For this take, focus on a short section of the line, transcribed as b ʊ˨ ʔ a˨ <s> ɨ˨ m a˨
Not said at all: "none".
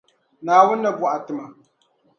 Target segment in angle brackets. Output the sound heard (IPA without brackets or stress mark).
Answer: t